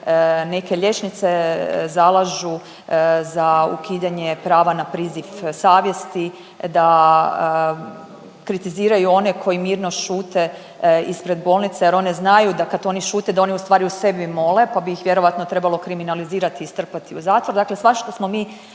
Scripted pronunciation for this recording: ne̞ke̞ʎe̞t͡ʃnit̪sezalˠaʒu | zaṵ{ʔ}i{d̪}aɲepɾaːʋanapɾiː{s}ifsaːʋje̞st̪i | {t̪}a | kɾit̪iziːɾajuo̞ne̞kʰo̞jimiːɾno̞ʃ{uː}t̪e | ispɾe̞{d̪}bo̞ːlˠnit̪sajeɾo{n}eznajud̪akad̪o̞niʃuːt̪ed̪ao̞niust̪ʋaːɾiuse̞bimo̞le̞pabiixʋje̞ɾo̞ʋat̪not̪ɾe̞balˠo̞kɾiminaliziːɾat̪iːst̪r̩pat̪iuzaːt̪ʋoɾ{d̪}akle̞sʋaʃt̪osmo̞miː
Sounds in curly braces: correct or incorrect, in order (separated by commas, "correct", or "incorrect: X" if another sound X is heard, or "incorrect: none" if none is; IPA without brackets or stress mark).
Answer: incorrect: k, correct, incorrect: z, incorrect: d̪, correct, correct, correct, correct